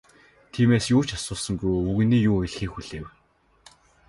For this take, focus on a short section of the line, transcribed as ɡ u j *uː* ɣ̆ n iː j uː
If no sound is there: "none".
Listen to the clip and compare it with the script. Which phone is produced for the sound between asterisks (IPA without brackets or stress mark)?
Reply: u